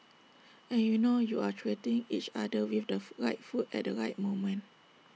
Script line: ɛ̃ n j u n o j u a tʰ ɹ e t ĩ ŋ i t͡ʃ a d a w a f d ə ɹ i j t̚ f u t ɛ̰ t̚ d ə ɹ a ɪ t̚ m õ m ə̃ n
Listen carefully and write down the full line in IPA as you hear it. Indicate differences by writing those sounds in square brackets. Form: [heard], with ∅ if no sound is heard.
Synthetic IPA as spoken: ɛ̃ n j u n o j u a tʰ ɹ e t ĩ ŋ i t͡ʃ a d [ə] w [i] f d ə ɹ [a] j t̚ f u t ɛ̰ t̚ d ə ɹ a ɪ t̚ m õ m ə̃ n